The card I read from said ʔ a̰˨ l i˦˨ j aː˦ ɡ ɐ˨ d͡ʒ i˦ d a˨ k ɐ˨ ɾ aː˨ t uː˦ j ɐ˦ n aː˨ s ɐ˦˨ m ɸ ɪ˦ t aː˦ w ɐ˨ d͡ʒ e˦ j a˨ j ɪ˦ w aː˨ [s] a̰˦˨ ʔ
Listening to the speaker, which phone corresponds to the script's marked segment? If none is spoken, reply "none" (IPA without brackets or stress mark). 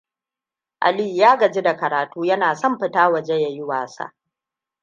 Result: s